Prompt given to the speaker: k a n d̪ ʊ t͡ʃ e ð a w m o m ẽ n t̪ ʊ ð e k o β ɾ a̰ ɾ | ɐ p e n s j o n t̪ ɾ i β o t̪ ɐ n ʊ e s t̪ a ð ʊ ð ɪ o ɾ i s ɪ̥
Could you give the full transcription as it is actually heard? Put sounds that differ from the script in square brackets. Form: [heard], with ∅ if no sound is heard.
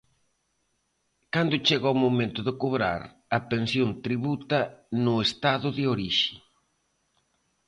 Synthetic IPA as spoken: k a n d̪ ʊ t͡ʃ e [ɣ] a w m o m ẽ n t̪ ʊ ð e k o β ɾ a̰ ɾ | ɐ p e n s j o n t̪ ɾ i β [u] t̪ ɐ n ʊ e s t̪ a ð ʊ ð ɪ o ɾ i [ʃ] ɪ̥